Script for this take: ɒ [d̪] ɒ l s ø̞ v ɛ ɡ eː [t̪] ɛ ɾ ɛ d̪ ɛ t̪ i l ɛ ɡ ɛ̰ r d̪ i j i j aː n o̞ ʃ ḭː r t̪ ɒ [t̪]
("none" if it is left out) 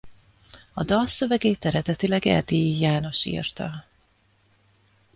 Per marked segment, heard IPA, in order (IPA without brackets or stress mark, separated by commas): d̪, t̪, none